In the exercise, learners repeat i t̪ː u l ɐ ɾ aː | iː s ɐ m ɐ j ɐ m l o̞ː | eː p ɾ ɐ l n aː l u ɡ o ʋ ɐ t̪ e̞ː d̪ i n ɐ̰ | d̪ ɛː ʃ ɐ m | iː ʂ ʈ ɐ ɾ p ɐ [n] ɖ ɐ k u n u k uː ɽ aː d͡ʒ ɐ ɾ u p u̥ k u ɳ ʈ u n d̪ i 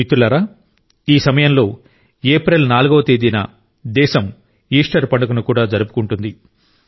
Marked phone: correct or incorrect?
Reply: incorrect